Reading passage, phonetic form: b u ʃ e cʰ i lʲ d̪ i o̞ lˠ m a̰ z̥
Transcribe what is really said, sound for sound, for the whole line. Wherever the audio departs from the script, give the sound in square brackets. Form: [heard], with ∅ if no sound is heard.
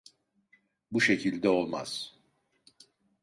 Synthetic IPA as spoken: b u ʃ e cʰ i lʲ d̪ [ɛ] o̞ lˠ m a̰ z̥